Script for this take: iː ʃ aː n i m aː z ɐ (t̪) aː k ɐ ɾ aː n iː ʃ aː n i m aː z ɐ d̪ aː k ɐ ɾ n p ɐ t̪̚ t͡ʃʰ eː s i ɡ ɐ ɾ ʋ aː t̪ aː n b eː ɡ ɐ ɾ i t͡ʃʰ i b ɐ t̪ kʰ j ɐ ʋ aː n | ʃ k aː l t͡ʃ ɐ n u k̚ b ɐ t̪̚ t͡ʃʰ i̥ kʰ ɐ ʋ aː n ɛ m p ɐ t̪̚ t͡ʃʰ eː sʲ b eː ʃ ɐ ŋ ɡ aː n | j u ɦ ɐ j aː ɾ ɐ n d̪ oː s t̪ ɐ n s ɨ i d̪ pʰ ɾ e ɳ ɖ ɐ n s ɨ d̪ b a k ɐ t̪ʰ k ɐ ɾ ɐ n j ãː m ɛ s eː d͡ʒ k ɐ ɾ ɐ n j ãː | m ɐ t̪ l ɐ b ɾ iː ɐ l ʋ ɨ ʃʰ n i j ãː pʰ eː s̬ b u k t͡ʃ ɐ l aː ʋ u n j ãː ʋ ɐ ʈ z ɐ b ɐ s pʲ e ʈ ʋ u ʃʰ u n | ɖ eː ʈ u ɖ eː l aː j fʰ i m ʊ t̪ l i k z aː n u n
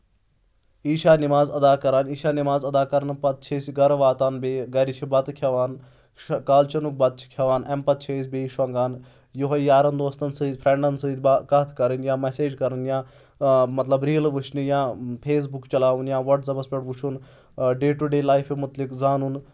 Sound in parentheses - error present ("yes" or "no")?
yes